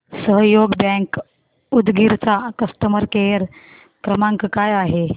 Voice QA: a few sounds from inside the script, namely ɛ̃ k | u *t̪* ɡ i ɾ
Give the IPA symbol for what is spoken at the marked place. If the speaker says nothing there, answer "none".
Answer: d̪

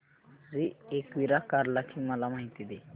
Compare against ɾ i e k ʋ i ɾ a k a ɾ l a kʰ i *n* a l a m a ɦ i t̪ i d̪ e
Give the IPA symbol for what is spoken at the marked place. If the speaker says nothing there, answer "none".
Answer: m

